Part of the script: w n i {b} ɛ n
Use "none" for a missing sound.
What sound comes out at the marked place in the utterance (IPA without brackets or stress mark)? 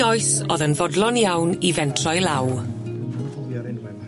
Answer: v